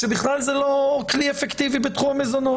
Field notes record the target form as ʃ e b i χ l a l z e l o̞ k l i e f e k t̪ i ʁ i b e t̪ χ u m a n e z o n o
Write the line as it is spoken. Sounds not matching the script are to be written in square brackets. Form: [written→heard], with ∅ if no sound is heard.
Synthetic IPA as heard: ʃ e b i χ l a l z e l o̞ k l i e f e k t̪ i [ʁ→v] i b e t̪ χ u m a [n→m] e z o n o

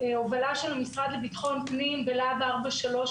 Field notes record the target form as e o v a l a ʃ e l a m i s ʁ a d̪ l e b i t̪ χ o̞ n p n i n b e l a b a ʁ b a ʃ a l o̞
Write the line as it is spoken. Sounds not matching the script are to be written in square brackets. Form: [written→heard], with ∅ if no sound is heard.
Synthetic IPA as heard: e o v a l a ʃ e l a m i s ʁ a d̪ l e b i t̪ χ o̞ n p n i [n→m] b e l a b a ʁ b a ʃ a l o̞

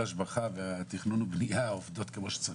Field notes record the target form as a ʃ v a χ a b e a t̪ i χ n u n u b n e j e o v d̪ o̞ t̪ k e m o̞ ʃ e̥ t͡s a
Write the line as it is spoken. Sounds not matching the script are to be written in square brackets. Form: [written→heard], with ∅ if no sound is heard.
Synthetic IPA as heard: a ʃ [v→b] a χ a [b→v] e a t̪ i χ n u n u b n [e→i] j [e→a] o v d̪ o̞ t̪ k e m o̞ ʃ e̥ t͡s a

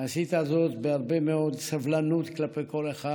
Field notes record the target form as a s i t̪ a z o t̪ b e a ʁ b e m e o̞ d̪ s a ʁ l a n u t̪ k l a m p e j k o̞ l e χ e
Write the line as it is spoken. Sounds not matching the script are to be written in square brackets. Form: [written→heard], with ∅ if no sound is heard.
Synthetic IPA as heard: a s i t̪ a z o t̪ b e a ʁ b e m e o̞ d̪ s a [ʁ→v] l a n u t̪ k l a [m→∅] p e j k o̞ l e χ [e→a]

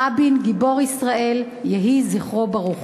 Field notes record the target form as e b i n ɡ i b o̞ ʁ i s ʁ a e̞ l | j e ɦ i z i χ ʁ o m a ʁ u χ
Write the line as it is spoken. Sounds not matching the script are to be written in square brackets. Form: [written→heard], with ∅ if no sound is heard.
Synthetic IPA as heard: [e→a] b i n ɡ i b o̞ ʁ i s ʁ a e̞ l | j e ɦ i z i χ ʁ o [m→b] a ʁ u χ

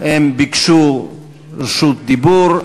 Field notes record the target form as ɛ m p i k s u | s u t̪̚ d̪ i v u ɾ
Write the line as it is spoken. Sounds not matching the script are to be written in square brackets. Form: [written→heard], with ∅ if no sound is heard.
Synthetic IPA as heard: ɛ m [p→b] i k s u | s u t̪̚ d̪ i [v→b] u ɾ

